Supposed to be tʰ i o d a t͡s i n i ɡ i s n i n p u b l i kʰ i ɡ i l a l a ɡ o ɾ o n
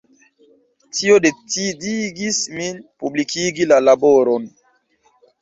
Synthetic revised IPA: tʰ i o d e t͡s i d i ɡ i s m i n p u b l i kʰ i ɡ i l a l a b o ɾ o n

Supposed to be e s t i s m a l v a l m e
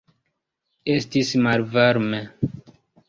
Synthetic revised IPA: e s t i s m a l v a ɾ m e

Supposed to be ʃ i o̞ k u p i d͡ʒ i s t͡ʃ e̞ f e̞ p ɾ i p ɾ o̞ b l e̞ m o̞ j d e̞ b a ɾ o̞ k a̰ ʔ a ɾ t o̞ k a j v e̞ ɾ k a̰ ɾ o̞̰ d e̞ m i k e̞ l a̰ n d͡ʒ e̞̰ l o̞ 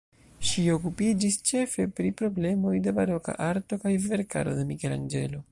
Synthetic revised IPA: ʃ i o̞ k u p i d͡ʒ i s t͡ʃ e̞ f e̞ p ɾ i p ɾ o̞ b l e̞ m o̞ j d e̞ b a ɾ o̞ k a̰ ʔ a ɾ t o̞ k a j v e̞ ɾ k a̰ ɾ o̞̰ d e̞ m i k e̞ l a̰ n d͡ʒ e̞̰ l o̞

